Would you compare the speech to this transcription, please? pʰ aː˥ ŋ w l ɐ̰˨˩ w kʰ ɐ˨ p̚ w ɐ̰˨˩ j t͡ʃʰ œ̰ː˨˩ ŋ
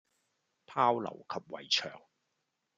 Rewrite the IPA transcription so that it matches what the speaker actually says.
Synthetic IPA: pʰ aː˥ w l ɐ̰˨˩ w kʰ ɐ˨ p̚ w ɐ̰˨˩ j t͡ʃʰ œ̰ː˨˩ ŋ